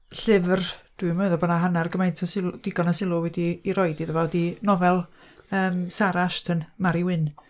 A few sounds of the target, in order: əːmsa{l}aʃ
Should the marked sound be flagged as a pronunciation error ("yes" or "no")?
yes